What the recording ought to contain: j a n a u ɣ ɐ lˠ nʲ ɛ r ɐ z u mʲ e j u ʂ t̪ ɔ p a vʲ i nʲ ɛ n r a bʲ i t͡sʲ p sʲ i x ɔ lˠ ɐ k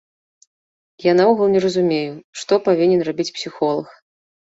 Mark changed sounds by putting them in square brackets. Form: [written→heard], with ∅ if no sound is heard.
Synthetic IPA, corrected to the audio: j a n a u ɣ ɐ lˠ nʲ ɛ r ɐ z u mʲ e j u ʂ t̪ ɔ p a vʲ i nʲ ɛ n r a bʲ i t͡sʲ p sʲ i x ɔ lˠ ɐ [k→x]